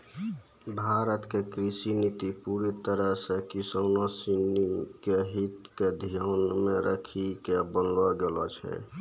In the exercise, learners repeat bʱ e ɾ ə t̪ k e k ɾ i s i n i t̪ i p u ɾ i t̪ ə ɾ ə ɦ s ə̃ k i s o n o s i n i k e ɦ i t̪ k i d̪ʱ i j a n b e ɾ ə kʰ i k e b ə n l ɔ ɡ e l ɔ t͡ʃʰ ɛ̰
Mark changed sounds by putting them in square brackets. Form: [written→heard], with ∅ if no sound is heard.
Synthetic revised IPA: bʱ [e→a] ɾ ə t̪ k e k ɾ i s i n i t̪ i p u ɾ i t̪ ə ɾ ə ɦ s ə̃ k i s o n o s i n i k e ɦ i t̪ k [i→e] d̪ʱ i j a n [b→m] e ɾ ə kʰ i k e b ə n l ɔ ɡ e l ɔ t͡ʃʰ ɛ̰